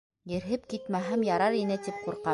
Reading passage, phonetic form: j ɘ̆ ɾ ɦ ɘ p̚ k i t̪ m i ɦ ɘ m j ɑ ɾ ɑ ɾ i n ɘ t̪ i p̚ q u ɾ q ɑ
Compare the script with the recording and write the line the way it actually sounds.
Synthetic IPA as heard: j ɘ̆ ɾ ɦ ɘ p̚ k i t̪ m æ ɦ ɘ m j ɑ ɾ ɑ ɾ i n ɘ t̪ i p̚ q u ɾ q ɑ